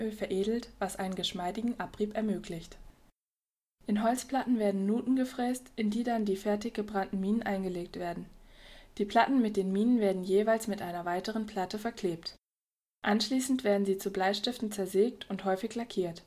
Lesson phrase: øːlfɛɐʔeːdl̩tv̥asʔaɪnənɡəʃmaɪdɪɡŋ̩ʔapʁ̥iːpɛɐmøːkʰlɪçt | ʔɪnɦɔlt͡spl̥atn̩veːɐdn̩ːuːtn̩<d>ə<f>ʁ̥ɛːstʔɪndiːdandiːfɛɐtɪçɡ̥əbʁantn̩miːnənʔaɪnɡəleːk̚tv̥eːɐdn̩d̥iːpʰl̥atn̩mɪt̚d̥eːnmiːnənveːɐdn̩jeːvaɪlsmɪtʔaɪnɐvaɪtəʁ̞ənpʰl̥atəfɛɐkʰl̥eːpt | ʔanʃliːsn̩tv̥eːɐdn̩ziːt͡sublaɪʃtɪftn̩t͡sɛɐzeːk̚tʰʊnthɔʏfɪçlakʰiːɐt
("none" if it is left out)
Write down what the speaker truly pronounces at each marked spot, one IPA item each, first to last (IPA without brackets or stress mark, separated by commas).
ɡ, f